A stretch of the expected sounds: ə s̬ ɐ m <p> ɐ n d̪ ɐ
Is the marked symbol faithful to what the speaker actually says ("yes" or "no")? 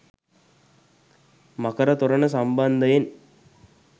no